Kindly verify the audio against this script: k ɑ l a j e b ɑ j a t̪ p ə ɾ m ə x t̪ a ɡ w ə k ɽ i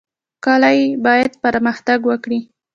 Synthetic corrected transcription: k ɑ l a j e b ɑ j a d̪ p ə ɾ m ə x t̪ a ɡ w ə k ɽ i